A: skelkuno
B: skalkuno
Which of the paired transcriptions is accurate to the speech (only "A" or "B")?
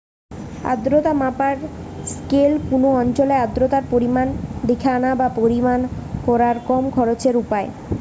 A